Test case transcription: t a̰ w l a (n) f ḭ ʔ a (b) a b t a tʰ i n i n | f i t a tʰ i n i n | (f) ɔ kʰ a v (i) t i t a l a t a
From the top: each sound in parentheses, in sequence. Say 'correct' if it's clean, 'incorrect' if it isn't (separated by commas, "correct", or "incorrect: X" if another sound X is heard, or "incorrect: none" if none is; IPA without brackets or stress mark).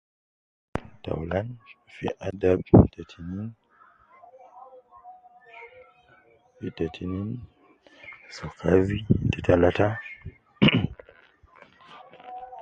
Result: correct, incorrect: d, incorrect: s, correct